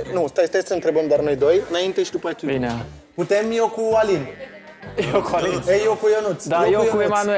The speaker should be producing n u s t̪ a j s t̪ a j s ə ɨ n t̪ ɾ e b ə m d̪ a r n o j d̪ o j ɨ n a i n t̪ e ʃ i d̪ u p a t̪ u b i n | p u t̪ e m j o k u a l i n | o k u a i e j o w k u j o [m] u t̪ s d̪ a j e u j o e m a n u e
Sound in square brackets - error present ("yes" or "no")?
yes